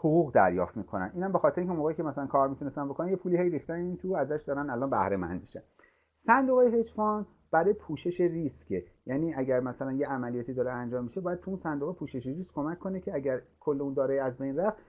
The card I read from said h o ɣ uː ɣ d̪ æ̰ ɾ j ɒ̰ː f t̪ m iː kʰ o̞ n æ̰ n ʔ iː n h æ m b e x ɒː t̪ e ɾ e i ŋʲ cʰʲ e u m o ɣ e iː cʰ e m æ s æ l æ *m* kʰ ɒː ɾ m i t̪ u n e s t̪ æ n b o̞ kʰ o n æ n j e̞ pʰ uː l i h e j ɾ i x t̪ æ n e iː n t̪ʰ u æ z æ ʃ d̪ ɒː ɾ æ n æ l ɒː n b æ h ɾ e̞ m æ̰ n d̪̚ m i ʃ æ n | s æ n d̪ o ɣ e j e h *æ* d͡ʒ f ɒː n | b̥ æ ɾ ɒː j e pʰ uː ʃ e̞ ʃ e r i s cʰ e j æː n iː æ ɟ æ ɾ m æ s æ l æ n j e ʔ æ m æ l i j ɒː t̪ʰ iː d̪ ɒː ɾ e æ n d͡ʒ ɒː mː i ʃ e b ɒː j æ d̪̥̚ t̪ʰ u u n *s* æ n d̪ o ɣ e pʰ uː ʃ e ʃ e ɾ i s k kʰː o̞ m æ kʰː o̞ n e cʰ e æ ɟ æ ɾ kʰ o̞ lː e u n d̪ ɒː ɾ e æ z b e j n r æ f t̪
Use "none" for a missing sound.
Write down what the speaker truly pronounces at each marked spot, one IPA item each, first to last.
n, e, s

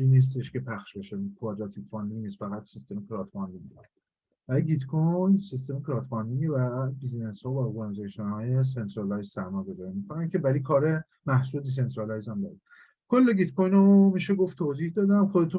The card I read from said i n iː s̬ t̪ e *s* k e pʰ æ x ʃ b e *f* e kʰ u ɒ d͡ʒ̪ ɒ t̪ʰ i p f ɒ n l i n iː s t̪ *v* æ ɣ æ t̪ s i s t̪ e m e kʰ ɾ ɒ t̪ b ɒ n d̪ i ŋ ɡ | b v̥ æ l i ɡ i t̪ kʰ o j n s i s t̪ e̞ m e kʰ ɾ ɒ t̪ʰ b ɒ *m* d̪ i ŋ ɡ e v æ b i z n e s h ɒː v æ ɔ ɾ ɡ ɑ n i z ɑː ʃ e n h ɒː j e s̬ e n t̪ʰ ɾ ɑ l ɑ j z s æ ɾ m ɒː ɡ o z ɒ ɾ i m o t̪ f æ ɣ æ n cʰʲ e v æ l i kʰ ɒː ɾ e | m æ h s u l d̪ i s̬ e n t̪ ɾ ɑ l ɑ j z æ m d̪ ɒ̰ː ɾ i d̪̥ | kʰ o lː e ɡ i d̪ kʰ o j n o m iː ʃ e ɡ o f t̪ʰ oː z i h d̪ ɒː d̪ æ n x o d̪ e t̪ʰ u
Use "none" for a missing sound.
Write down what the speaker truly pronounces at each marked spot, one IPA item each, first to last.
ʃ, ʃ, f, n

